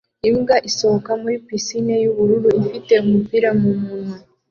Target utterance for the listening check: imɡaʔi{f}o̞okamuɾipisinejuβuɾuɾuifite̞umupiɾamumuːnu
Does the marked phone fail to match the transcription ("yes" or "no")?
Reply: yes